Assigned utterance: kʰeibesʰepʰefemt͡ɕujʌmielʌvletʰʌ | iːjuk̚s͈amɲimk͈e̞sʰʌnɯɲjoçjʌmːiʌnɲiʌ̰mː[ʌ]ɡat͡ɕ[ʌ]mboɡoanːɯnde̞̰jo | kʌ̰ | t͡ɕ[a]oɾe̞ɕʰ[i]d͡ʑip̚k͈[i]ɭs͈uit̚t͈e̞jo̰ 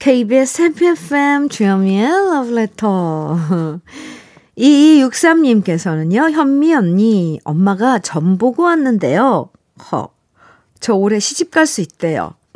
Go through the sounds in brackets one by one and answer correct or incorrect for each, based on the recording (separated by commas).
incorrect, correct, incorrect, correct, incorrect